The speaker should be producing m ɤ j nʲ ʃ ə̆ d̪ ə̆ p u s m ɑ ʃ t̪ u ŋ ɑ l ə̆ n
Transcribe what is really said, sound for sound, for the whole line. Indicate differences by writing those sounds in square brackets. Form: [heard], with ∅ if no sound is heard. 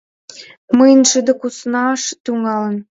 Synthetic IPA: m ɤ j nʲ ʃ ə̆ d̪ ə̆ [k] u s [n] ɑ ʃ t̪ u ŋ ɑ l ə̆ n